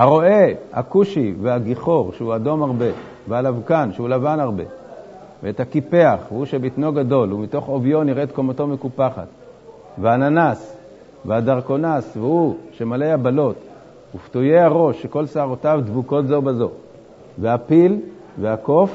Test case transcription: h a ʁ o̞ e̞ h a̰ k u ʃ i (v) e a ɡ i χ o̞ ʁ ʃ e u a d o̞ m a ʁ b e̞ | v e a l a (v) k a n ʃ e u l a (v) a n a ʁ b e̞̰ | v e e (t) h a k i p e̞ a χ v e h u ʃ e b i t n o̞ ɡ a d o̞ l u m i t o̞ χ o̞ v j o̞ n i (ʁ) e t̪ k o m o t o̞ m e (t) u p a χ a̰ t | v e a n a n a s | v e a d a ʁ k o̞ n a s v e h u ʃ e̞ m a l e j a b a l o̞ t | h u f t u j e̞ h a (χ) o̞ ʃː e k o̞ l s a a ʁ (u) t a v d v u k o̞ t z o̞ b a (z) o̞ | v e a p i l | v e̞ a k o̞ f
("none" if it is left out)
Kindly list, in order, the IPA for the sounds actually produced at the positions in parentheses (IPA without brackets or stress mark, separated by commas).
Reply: v, v, v, t, ʁ, k, ʁ, o, z